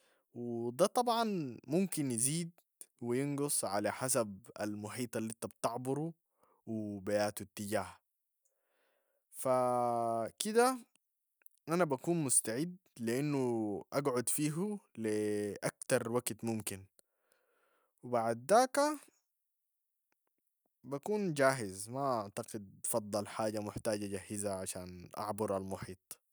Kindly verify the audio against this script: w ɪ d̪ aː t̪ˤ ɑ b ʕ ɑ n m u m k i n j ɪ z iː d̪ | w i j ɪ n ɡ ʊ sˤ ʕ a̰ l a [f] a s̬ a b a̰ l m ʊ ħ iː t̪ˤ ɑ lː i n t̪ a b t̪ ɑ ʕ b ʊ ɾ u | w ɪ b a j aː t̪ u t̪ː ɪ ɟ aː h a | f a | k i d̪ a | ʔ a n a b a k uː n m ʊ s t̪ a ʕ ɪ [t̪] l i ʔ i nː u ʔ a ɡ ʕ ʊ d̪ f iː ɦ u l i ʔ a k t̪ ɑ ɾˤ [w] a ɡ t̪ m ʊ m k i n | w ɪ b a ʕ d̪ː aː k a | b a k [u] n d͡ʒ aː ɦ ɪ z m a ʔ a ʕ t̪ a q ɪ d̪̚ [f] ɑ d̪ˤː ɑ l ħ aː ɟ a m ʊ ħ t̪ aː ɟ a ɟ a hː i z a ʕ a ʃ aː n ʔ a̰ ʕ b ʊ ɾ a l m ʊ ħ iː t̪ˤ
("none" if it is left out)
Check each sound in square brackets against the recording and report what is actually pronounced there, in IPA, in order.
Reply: ħ, d̪, w, uː, f

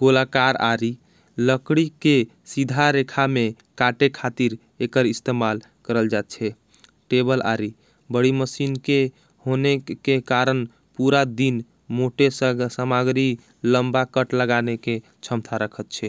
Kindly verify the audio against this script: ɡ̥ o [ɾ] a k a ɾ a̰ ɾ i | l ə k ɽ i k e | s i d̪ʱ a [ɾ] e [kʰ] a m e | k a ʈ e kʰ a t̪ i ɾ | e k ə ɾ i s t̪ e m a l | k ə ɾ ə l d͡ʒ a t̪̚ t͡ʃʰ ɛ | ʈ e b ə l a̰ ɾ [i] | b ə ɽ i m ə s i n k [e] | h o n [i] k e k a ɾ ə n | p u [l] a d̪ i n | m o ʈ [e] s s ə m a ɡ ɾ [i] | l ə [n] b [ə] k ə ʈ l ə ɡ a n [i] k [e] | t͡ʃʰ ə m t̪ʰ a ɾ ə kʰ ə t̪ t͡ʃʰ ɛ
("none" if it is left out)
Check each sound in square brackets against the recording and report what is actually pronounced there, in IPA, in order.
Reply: l, ɾ, kʰ, i, e, e, ɾ, e, i, m, a, e, e

